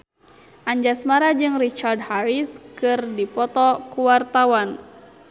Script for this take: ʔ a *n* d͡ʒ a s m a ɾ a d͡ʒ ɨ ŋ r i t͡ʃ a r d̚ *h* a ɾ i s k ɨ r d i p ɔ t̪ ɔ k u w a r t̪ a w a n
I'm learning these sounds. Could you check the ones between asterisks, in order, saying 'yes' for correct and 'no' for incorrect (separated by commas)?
no, yes